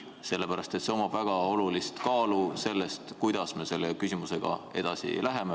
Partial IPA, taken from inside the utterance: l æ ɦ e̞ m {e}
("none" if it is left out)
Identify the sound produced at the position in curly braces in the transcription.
e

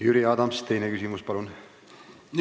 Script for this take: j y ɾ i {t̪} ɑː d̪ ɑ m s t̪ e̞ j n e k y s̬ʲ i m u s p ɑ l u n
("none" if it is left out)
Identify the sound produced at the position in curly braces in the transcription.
none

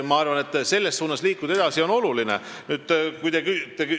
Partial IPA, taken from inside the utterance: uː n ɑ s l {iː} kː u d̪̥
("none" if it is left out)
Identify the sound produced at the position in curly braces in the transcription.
iː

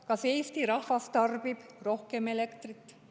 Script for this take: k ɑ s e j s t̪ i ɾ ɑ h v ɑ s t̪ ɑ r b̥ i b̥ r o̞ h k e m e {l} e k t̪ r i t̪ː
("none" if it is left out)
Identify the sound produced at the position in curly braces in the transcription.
l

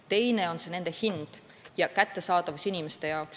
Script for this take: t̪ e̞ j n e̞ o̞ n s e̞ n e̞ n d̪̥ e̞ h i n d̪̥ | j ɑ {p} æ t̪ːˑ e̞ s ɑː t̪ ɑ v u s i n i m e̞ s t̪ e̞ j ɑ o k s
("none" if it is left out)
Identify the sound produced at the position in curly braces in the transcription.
k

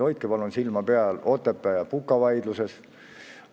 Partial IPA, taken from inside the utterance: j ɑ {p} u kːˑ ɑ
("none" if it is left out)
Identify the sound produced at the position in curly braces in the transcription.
p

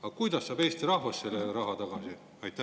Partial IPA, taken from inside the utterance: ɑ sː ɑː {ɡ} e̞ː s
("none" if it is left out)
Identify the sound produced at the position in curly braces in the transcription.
b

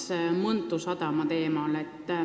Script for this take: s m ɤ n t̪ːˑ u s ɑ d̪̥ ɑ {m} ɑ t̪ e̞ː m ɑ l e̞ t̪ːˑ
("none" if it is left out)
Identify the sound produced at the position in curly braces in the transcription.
m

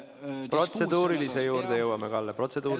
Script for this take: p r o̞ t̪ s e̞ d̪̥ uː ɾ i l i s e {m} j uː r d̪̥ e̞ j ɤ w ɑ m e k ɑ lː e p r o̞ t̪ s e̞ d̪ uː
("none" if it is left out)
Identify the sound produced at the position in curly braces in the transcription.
none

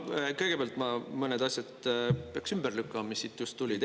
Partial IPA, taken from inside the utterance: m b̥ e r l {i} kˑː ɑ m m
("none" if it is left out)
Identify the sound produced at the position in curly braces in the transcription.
y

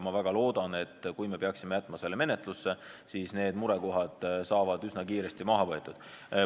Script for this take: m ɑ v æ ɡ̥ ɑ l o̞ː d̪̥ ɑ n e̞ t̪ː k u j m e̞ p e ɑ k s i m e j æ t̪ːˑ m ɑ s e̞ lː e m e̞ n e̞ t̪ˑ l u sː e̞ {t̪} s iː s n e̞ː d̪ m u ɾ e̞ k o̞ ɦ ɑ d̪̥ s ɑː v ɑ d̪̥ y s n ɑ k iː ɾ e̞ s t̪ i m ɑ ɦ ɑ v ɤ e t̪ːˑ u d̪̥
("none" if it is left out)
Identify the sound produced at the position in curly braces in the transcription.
none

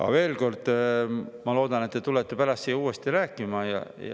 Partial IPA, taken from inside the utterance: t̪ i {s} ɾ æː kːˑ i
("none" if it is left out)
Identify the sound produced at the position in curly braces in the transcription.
none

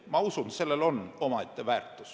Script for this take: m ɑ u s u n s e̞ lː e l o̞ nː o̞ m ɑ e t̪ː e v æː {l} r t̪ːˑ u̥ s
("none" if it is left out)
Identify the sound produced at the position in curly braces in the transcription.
none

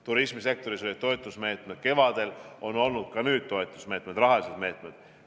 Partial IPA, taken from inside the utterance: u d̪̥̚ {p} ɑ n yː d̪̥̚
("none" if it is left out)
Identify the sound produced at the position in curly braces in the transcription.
k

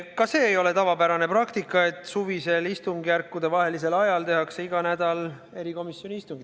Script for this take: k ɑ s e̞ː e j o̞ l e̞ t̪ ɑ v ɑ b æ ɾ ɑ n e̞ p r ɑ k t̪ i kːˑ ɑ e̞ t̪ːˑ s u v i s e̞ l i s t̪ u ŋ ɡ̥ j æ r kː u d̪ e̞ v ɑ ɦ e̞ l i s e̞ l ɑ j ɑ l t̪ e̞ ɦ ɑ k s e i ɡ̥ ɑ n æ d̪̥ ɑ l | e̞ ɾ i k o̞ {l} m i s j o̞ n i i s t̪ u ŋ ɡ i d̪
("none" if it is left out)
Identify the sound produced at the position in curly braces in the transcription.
none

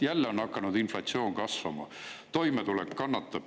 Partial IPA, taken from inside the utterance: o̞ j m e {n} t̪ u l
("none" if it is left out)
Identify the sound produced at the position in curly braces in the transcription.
none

